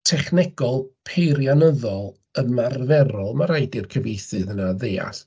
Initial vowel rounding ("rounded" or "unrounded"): unrounded